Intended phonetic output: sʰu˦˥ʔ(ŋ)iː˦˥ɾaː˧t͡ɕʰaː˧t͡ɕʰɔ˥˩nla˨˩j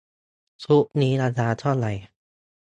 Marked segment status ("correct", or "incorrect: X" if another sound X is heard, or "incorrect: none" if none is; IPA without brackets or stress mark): incorrect: n